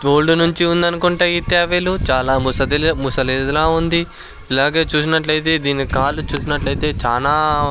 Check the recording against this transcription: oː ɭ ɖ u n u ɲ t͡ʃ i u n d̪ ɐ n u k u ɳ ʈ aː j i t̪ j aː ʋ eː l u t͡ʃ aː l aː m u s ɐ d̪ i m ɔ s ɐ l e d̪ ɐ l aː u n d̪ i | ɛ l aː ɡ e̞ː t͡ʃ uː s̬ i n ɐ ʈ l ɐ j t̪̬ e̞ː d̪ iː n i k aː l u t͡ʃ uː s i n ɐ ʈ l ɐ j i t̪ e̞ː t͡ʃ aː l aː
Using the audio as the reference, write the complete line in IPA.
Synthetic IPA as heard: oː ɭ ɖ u n u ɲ t͡ʃ i u n d̪ ɐ n u k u ɳ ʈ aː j i t̪ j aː ʋ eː l u t͡ʃ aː l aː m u s ɐ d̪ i m u s ɐ l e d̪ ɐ l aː u n d̪ i | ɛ l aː ɡ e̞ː t͡ʃ uː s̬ i n ɐ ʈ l ɐ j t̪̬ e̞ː d̪ iː n i k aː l u t͡ʃ uː s i n ɐ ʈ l ɐ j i t̪ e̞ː t͡ʃ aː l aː